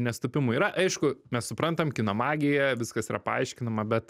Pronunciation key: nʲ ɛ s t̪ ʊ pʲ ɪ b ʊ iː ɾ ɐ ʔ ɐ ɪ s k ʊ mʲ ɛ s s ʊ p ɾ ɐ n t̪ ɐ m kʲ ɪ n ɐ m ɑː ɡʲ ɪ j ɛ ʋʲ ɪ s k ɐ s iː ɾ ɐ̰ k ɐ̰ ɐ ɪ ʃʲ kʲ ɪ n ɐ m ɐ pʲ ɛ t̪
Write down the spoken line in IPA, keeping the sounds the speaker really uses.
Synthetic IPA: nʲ ɛ s t̪ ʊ pʲ ɪ m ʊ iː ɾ ɐ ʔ ɐ ɪ ʃ k ʊ mʲ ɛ s s ʊ p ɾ ɐ n t̪ ɐ m kʲ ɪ n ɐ m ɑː ɡʲ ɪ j ɛ ʋʲ ɪ s k ɐ s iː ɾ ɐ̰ p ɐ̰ ɐ ɪ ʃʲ kʲ ɪ n ɐ m ɐ bʲ ɛ t̪

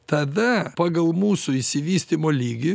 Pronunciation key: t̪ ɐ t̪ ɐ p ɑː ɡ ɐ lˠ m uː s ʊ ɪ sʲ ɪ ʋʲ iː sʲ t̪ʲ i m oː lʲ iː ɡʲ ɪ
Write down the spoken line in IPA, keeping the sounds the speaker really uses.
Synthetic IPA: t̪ ɐ d̪ ɐ p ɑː ɡ ɐ lˠ m uː s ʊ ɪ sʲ ɪ ʋʲ iː sʲ t̪ʲ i m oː lʲ iː ɡʲ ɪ

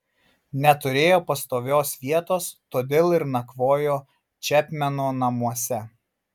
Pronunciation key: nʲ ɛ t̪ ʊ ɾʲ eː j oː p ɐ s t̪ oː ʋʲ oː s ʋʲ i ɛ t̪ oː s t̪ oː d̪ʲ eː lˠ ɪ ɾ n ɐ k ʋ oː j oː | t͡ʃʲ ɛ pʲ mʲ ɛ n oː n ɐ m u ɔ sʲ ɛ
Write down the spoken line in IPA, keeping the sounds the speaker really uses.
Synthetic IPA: nʲ ɛ t̪ ʊ ɾʲ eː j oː p ɐ s t̪ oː ʋʲ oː s ʋʲ i ɛ t̪ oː s t̪ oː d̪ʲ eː lˠ ɪ ɾ n ɐ k ʋ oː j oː | t͡ʃʲ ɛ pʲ mʲ ɛ n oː n ɐ m u ɔ sʲ ɛ

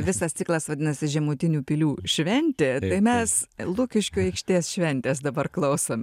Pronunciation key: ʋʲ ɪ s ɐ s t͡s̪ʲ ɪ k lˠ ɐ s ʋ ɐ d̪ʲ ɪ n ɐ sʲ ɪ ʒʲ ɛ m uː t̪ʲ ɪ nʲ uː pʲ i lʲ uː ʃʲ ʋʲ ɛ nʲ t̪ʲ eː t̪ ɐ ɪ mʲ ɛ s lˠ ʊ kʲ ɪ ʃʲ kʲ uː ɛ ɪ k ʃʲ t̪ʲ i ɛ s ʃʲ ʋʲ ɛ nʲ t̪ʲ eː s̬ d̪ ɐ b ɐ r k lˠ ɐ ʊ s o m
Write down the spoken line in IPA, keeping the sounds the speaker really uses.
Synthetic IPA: ʋʲ ɪ s ɐ s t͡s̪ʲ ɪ k lˠ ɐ s ʋ ɐ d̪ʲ ɪ n ɐ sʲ ɪ ʒʲ ɛ m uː t̪ʲ ɪ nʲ uː pʲ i lʲ uː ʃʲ ʋʲ ɛ nʲ t̪ʲ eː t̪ ɐ ɪ mʲ ɛ s lˠ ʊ kʲ ɪ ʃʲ kʲ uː ɛ ɪ k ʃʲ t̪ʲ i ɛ s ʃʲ ʋʲ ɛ nʲ t̪ʲ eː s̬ d̪ ɐ b ɐ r k lˠ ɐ ʊ s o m

